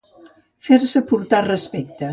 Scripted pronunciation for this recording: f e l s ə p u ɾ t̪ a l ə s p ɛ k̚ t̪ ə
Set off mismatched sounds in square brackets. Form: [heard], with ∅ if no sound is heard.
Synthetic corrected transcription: f e [ɾ] s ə p u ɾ t̪ a [r] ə s p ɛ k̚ t̪ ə

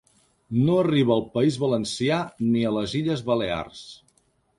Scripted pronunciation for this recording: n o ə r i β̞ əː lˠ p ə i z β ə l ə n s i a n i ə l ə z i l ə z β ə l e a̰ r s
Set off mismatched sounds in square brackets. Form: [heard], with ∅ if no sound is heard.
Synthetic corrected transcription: n o ə r i β̞ əː lˠ p ə i z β ə l ə n s i a n i ə l ə z i [ʎ] ə z β ə l e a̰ r s

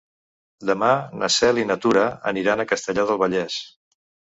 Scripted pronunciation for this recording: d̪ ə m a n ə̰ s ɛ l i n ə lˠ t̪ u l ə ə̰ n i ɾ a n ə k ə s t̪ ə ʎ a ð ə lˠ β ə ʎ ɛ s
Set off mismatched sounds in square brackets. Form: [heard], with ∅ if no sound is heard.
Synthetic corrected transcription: d̪ ə m a n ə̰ s ɛ l i n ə [∅] t̪ u [ɾ] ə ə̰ n i ɾ a n ə k ə s t̪ ə ʎ a ð ə lˠ β ə ʎ ɛ s

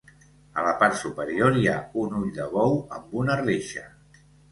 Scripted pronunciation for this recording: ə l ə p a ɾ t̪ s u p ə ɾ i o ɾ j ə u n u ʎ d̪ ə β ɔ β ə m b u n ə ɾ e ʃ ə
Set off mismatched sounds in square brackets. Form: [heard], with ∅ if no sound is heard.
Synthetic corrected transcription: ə l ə p a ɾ t̪ s u p ə ɾ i o ɾ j [a] u n u ʎ d̪ ə β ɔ [w] ə m b u n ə [r] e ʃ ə

